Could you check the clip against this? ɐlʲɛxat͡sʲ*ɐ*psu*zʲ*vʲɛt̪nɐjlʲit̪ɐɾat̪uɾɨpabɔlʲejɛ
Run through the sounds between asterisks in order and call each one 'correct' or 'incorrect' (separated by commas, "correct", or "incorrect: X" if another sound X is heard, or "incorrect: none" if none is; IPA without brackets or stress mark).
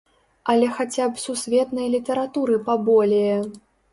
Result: incorrect: a, incorrect: sʲ